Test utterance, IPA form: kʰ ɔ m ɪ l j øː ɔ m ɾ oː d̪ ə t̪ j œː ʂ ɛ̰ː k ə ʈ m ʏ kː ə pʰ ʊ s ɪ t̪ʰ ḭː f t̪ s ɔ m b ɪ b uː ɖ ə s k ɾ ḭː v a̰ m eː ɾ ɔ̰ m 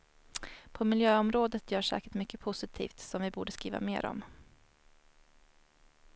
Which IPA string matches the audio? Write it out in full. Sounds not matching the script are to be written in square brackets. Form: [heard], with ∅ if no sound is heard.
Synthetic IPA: [pʰ] ɔ m ɪ l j øː ɔ m ɾ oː d̪ ə t̪ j œː ʂ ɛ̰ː k ə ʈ m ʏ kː ə pʰ ʊ s ɪ t̪ʰ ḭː f t̪ s ɔ m [v] ɪ b uː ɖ ə s k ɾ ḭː v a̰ m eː ɾ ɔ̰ m